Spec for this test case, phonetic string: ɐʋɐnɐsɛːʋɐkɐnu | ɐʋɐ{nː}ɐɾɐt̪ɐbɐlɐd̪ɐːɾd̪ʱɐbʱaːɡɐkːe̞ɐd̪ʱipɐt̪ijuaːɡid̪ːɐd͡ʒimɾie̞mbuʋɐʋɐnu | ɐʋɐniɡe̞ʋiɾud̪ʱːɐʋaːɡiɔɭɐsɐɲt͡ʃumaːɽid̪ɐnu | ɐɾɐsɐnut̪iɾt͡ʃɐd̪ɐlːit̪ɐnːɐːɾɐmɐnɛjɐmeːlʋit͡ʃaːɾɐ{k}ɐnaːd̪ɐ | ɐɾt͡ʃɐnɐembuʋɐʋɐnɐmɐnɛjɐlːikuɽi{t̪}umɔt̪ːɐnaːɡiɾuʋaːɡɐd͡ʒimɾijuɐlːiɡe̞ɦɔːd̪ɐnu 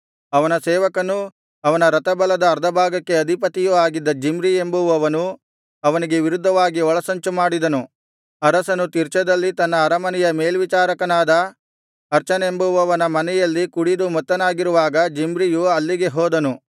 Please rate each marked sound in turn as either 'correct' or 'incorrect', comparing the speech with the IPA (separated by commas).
incorrect, correct, incorrect